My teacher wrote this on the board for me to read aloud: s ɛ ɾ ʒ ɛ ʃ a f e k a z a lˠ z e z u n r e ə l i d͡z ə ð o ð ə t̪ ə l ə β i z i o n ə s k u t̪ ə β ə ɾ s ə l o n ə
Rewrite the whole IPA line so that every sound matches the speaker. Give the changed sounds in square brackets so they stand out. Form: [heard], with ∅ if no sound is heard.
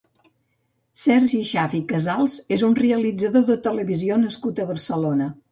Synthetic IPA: s ɛ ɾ ʒ [i] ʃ a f [i] k [ə] z a lˠ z e z u n r e ə l i d͡z ə ð o ð ə t̪ ə l ə β i z i o n ə s k u t̪ ə β ə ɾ s ə l o n ə